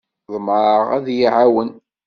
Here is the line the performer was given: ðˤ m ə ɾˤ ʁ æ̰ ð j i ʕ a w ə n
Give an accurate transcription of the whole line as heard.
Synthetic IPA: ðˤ m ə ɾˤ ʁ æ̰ ð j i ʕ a w ə n